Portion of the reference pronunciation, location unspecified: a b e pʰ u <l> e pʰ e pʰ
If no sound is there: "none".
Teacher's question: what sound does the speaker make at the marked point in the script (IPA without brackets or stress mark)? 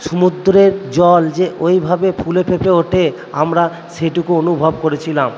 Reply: l